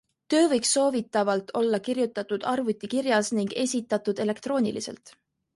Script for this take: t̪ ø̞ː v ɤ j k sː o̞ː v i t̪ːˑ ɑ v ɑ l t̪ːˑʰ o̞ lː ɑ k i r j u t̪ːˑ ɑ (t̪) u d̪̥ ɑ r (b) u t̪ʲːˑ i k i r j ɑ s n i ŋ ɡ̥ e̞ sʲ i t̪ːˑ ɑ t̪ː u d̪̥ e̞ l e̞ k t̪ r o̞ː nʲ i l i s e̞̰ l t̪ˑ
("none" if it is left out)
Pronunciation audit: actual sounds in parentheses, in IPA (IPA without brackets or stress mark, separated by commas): t̪, v